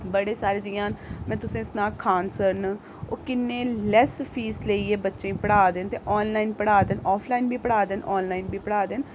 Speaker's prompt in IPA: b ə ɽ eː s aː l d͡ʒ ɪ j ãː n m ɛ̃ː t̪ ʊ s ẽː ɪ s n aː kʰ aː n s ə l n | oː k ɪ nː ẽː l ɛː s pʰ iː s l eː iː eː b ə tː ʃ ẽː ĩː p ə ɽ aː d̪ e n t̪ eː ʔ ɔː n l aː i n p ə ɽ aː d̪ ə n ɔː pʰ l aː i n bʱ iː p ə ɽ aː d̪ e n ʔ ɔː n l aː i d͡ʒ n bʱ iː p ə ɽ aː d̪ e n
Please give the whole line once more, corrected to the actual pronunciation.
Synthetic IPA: b ə ɽ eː s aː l d͡ʒ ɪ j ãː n m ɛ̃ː t̪ ʊ s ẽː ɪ s n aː kʰ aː n s ə ɾ n | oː k ɪ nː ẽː l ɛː s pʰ iː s l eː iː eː b ə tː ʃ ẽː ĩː p ə ɽ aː d̪ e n t̪ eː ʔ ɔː n l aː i n p ə ɽ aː d̪ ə n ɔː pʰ l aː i n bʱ iː p ə ɽ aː d̪ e n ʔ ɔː n l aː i n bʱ iː p ə ɽ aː d̪ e n